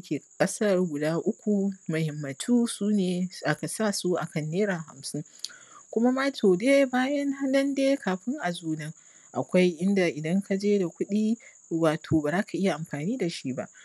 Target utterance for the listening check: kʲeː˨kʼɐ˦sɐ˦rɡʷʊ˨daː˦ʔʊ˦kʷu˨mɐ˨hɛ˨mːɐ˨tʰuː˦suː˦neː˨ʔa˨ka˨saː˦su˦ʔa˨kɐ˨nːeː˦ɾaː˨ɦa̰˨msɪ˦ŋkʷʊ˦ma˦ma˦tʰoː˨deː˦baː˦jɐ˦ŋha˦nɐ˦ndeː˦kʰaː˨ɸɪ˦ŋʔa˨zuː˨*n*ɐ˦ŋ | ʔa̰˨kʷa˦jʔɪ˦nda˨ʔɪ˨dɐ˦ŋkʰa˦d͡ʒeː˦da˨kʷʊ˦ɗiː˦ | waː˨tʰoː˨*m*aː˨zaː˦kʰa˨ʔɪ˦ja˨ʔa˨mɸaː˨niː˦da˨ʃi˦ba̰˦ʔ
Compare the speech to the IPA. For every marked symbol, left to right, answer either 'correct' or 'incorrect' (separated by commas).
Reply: correct, incorrect